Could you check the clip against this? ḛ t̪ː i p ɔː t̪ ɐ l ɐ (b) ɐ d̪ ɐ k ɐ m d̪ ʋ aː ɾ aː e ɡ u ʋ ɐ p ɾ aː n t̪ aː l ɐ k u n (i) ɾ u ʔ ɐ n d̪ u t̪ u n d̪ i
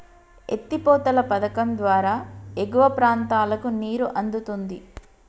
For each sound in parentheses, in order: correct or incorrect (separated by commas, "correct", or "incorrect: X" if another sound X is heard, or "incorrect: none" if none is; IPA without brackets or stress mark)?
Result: incorrect: p, incorrect: iː